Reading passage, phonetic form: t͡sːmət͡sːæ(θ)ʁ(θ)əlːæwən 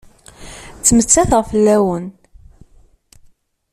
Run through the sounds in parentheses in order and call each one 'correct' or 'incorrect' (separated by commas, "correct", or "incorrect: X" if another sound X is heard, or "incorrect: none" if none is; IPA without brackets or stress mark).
correct, incorrect: f